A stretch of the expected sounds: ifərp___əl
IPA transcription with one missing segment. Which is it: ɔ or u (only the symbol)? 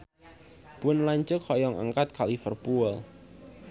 u